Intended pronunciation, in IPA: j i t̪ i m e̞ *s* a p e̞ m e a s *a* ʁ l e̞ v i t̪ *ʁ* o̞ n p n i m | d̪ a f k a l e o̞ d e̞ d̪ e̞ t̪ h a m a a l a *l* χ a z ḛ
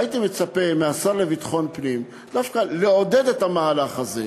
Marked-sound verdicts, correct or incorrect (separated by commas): incorrect, correct, incorrect, incorrect